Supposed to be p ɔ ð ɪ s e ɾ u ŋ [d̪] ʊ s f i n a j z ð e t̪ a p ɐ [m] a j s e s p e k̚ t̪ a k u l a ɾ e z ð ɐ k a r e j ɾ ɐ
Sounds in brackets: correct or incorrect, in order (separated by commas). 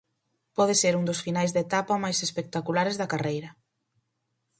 correct, correct